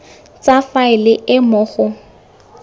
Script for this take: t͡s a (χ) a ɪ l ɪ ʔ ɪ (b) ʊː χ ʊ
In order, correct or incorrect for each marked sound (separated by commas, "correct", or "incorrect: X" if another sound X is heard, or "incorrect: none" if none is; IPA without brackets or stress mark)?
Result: incorrect: f, incorrect: m